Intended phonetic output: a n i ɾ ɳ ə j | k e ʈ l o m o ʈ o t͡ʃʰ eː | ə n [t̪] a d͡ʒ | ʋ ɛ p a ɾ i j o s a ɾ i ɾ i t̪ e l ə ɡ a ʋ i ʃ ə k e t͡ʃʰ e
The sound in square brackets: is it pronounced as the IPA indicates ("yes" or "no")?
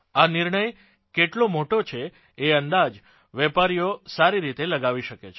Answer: no